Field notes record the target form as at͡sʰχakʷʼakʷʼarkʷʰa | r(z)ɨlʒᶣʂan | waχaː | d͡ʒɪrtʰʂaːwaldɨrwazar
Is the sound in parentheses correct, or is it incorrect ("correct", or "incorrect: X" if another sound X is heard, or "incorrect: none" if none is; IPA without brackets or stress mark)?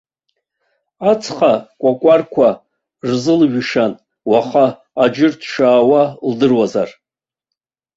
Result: correct